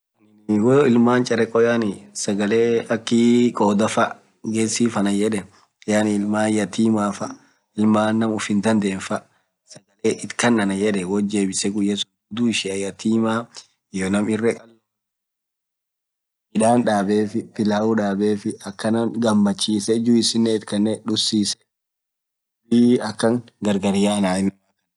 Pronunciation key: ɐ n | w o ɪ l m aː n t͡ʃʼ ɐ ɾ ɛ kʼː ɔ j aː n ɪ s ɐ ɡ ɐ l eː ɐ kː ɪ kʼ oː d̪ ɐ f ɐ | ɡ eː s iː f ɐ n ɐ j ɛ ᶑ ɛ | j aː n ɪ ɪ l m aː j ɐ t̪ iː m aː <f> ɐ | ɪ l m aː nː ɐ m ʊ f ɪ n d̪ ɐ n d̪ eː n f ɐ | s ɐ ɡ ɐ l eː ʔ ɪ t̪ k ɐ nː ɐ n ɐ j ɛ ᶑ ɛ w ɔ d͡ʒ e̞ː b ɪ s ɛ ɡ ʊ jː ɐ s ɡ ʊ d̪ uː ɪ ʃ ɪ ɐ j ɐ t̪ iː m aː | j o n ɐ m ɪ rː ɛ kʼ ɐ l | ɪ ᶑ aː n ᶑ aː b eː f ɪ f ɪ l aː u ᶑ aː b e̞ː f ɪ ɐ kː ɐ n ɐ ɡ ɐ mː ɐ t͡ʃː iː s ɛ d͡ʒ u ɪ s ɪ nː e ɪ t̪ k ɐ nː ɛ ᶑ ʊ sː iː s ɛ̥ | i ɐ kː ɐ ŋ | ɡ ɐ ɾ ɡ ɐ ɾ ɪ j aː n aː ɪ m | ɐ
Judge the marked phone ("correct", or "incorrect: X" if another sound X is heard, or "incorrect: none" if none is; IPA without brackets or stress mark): correct